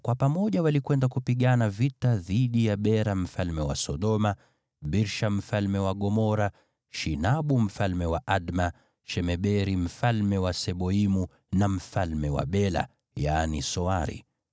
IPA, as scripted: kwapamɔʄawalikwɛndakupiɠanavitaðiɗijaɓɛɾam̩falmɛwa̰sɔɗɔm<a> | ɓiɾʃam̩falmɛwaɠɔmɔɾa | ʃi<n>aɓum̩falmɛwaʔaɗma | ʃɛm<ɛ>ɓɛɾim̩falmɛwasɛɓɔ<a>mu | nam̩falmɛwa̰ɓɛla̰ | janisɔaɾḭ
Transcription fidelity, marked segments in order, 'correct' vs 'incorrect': correct, correct, correct, incorrect: i

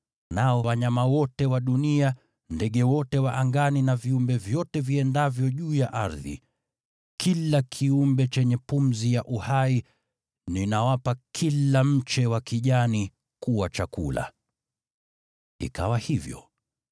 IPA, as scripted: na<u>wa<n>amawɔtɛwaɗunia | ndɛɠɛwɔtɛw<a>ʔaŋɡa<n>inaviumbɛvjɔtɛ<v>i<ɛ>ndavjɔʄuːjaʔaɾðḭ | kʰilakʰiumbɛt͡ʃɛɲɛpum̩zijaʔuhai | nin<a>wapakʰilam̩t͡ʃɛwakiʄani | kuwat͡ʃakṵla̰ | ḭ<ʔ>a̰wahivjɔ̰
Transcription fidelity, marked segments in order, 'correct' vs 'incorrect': incorrect: ɔ, incorrect: ɲ, correct, correct, correct, correct, correct, incorrect: k

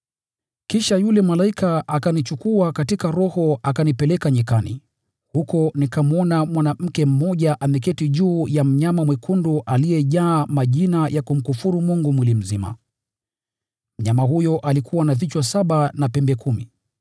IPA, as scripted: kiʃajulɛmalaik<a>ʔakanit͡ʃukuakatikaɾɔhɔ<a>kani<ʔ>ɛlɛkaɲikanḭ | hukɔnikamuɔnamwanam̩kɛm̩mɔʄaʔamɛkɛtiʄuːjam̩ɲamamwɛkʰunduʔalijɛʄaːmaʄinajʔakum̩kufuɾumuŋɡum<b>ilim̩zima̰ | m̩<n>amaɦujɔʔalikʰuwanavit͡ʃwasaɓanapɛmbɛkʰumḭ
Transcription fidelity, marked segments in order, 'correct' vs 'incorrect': correct, correct, incorrect: p, incorrect: w, incorrect: ɲ

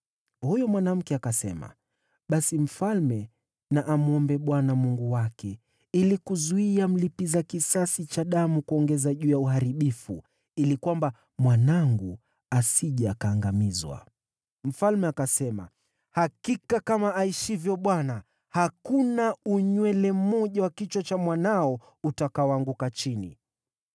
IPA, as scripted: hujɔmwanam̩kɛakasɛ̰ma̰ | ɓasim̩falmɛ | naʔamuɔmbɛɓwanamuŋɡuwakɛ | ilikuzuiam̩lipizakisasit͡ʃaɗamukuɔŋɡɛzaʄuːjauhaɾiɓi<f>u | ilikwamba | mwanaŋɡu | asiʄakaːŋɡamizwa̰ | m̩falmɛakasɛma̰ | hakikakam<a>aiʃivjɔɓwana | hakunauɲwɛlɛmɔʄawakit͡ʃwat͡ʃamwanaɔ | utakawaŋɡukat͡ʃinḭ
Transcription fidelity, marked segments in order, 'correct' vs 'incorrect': correct, correct

